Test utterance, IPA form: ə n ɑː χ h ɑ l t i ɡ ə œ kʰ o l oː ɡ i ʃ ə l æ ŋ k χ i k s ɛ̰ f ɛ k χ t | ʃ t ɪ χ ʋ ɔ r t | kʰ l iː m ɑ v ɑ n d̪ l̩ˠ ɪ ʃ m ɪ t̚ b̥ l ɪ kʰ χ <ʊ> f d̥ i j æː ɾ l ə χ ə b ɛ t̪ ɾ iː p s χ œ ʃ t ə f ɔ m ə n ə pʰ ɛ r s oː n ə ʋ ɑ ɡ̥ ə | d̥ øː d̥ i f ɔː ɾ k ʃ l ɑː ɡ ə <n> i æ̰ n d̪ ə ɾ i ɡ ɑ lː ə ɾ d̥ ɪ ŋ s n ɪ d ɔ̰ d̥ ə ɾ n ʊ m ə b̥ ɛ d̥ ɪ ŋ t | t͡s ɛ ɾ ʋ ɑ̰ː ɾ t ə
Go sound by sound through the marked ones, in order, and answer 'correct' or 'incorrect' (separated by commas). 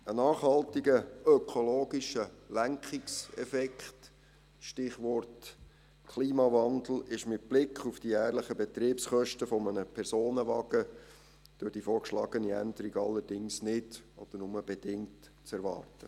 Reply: incorrect, correct